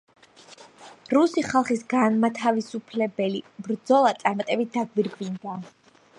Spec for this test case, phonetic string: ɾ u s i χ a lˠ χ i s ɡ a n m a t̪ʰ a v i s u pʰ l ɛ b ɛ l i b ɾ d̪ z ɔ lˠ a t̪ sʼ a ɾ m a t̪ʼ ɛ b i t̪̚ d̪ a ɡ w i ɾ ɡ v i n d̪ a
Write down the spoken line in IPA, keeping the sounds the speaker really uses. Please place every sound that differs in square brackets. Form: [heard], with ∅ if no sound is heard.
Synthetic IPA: ɾ u s i χ a lˠ χ i s ɡ a n m a t̪ʰ a v i s u pʰ l ɛ b ɛ l i b ɾ d̪ z ɔ lˠ a t̪ sʼ a ɾ m a t̪ʼ ɛ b i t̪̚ d̪ a ɡ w i ɾ ɡ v i n d̪ a